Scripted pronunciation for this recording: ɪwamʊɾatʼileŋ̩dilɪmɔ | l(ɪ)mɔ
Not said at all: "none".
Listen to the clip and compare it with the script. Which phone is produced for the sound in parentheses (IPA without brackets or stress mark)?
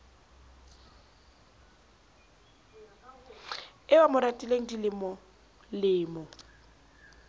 ɪː